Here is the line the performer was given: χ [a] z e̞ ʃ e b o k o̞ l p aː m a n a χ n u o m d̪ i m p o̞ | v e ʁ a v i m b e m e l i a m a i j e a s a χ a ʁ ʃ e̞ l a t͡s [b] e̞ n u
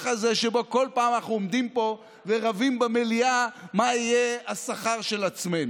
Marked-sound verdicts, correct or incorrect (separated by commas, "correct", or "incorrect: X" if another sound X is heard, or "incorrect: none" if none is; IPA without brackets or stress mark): correct, incorrect: m